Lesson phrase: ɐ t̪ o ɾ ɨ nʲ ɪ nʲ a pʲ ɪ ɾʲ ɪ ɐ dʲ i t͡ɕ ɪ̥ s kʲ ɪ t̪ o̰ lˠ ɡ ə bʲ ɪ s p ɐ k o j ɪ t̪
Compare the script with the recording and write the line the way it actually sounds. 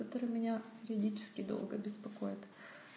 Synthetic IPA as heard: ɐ t̪ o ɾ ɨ mʲ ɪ nʲ a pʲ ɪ ɾʲ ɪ ɐ dʲ i t͡ɕ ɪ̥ s kʲ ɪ d̪ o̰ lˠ ɡ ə bʲ ɪ s p ɐ k o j ɪ t̪

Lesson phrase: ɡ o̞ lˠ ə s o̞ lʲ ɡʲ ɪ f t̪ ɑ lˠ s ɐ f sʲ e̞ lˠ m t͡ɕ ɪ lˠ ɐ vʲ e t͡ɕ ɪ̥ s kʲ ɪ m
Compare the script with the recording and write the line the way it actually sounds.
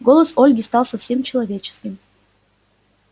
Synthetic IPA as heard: ɡ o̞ lˠ ə s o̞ lʲ ɡʲ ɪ s t̪ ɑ lˠ s ɐ f sʲ e̞ m t͡ɕ ɪ lˠ ɐ vʲ e t͡ɕ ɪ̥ s kʲ ɪ m

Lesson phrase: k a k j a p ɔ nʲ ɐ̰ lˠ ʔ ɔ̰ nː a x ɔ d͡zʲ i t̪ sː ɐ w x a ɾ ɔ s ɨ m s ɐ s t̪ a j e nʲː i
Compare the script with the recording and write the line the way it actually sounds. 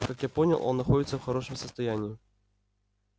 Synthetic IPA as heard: k a k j a p ɔ nʲ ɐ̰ lˠ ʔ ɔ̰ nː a x ɔ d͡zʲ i t̪ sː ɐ w x a ɾ ɔ ʂ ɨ m s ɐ s t̪ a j a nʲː i

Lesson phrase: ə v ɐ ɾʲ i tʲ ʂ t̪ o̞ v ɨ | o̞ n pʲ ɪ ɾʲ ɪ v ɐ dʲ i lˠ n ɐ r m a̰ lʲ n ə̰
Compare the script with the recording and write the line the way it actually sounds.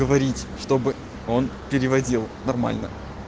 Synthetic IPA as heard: ə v ɐ ɾʲ i tʲ ʂ t̪ o̞ b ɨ | o̞ n pʲ ɪ ɾʲ ɪ v ɐ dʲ i lˠ n ɐ r m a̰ lʲ n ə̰

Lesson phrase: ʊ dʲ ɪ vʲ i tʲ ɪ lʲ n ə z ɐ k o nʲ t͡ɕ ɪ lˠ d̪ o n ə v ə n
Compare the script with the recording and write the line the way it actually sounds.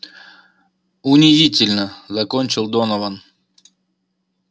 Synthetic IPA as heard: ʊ nʲ ɪ zʲ i tʲ ɪ lʲ n ə z ɐ k o nʲ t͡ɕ ɪ lˠ d̪ o n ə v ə n

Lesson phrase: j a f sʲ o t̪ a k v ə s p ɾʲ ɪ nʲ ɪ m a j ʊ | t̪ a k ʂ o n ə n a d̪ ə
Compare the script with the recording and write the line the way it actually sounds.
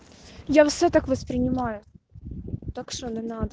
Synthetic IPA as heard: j a f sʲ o t̪ a k v ə s p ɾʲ ɪ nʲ ɪ m a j ʊ | t̪ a k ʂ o n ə n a d̪ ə

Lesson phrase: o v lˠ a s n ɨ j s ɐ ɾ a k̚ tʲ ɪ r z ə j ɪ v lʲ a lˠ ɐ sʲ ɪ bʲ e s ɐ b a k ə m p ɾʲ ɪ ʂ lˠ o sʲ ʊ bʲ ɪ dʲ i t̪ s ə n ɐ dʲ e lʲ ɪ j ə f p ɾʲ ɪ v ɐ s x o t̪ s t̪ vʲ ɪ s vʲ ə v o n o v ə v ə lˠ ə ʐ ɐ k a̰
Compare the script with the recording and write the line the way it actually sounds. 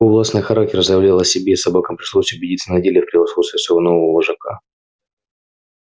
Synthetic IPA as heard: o v lˠ a s n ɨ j x ɐ ɾ a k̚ tʲ ɪ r z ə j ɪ v lʲ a lˠ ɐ sʲ ɪ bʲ e s ɐ b a k ə m p ɾʲ ɪ ʂ lˠ o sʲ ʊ bʲ ɪ dʲ i t̪ s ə n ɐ dʲ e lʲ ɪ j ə f p ɾʲ ɪ v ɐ s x o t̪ s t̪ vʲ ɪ s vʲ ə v o n o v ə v ə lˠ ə ʐ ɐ k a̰

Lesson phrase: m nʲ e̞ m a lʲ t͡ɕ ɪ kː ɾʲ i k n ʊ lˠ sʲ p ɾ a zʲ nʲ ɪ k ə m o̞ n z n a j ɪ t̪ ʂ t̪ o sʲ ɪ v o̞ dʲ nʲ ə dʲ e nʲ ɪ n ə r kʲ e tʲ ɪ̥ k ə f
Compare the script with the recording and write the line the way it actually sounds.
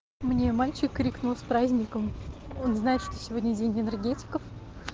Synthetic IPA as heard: m nʲ e̞ m a lʲ t͡ɕ ɪ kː ɾʲ i k n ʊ lˠ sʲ p ɾ a zʲ nʲ ɪ k ə m o̞ n z n a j ɪ t̪ ʂ t̪ o sʲ ɪ v o̞ dʲ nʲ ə dʲ e nʲ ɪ n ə r ɡʲ e tʲ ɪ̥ k ə f

